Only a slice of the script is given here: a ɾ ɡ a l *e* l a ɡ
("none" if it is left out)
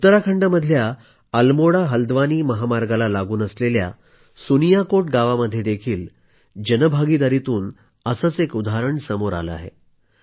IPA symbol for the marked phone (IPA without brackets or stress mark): a